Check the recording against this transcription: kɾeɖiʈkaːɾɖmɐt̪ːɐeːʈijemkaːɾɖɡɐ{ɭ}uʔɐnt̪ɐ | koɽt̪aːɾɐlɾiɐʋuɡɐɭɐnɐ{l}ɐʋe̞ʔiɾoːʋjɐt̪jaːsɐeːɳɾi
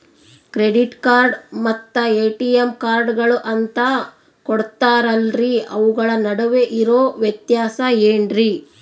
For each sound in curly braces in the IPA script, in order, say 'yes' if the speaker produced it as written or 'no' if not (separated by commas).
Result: yes, no